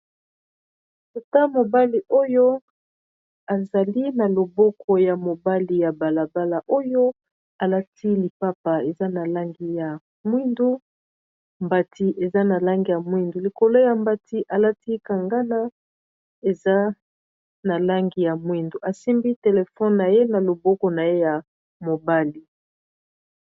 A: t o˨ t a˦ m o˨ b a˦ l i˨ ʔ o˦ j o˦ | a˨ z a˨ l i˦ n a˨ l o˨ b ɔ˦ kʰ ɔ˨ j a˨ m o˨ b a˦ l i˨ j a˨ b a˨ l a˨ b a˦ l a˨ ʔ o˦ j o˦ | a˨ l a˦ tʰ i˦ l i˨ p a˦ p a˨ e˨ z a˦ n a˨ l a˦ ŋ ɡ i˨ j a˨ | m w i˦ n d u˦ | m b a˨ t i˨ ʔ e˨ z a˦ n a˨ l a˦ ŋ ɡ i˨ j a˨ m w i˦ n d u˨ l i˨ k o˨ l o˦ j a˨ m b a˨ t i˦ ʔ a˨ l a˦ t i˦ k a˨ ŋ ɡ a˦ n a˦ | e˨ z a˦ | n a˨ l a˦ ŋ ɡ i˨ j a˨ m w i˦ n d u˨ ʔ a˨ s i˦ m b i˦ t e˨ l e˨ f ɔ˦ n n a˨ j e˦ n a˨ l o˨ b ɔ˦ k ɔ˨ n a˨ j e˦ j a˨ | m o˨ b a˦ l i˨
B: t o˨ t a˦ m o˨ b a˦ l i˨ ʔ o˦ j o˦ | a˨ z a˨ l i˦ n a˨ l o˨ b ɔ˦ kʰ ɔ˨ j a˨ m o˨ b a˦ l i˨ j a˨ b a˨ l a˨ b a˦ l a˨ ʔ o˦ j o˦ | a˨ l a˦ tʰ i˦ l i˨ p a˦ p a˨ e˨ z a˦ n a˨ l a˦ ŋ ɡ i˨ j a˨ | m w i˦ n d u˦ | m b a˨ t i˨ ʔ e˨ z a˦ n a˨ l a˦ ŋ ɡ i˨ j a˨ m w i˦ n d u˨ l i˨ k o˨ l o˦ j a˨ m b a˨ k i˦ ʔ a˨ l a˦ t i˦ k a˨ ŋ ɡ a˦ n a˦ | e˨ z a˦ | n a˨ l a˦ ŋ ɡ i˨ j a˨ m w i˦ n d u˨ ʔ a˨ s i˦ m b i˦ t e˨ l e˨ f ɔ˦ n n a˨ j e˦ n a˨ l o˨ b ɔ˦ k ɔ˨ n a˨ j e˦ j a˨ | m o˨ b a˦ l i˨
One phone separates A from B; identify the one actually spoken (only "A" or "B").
A